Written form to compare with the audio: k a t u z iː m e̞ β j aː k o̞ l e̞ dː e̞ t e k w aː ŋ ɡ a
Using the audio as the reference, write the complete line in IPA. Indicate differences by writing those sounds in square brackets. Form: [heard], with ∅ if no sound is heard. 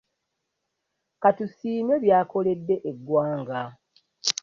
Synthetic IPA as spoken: k a t u [s] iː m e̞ β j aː k o̞ l e̞ dː e̞ [ʔ] e [ɡ] w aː ŋ ɡ a